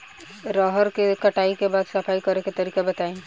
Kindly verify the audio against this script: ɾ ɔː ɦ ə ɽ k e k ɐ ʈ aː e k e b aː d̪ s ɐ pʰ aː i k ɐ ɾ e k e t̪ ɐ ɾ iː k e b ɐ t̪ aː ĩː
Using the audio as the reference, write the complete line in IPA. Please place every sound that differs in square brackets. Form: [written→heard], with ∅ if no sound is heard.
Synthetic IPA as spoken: ɾ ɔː ɦ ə [ɽ→ɾ] k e k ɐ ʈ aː [e→i] k e b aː d̪ s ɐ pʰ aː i k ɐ ɾ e k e t̪ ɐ ɾ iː k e b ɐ t̪ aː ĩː